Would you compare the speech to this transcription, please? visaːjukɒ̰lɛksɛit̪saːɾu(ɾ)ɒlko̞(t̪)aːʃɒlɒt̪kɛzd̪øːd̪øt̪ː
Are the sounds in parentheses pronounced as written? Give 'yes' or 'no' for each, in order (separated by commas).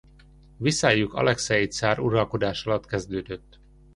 yes, no